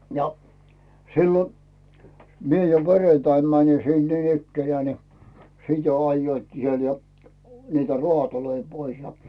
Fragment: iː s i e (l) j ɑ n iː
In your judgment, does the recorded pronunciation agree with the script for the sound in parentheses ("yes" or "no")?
yes